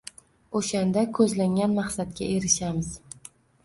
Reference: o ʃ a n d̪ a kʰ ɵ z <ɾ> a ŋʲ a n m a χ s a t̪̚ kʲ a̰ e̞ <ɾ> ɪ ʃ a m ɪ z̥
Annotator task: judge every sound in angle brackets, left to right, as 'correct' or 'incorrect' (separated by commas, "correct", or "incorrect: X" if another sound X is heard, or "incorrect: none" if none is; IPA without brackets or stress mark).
incorrect: l, correct